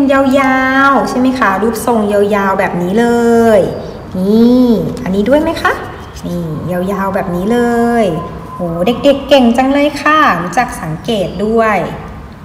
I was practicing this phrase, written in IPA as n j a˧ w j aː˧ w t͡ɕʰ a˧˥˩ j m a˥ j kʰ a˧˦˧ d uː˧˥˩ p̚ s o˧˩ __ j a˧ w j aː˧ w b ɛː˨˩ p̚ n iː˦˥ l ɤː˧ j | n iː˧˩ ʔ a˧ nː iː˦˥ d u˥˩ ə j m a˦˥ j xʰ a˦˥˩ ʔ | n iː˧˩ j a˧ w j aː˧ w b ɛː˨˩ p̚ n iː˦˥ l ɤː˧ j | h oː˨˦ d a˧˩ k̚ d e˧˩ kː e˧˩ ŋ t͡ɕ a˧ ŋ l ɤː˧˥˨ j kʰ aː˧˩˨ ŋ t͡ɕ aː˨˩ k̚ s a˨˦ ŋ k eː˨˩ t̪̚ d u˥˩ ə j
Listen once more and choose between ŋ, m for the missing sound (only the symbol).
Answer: ŋ